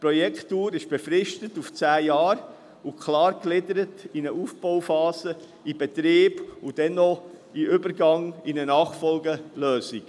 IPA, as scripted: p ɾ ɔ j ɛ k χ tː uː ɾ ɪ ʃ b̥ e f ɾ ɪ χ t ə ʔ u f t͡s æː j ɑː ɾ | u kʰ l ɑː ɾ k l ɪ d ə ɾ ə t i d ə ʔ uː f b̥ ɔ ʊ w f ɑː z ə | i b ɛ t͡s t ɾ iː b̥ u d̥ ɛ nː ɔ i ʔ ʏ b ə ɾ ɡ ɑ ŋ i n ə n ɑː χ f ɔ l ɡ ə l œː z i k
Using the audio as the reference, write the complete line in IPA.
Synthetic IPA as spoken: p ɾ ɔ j ɛ k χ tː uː ɾ ɪ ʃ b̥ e f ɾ ɪ ʃ t ə t u f t͡s æː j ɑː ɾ | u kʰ l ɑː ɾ k l ɪ d ə ɾ ə t i n ə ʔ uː f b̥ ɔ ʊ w f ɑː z ə | i b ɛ t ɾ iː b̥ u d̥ ɛ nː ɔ i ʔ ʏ b ə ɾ ɡ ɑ ŋ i n ə n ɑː χ f ɔ l ɡ ə l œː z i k